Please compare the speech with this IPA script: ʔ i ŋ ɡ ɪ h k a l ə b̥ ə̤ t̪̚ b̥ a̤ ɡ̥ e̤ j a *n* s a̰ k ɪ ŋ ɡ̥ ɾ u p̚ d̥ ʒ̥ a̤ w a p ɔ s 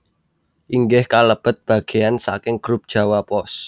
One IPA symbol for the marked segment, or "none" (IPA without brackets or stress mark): n